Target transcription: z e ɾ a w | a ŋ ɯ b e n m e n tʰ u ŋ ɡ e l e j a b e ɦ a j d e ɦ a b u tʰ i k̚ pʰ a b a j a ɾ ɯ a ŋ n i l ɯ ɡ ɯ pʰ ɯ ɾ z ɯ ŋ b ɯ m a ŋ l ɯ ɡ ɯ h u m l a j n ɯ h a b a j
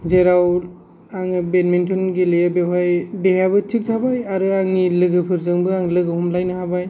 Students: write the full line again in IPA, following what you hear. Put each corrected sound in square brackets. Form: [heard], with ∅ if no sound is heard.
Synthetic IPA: z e ɾ a w | a ŋ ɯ b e n m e n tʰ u [n] ɡ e l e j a b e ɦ a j d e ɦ a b [ɯ] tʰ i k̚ [tʰ] a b a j a ɾ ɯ a ŋ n i l ɯ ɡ ɯ pʰ ɯ ɾ z ɯ ŋ b ɯ [∅] a ŋ l ɯ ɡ ɯ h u m l a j n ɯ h a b a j